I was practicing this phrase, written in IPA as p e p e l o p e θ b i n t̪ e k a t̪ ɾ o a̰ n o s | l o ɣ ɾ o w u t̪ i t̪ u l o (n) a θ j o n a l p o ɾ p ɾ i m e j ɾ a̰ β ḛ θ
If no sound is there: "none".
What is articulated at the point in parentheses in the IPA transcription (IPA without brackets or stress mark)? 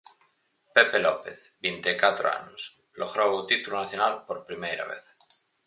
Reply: n